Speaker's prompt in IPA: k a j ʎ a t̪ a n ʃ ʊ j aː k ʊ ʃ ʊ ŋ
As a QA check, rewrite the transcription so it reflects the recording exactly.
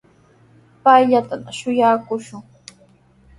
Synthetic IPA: p a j ʎ a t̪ a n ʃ ʊ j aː k ʊ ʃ ʊ ŋ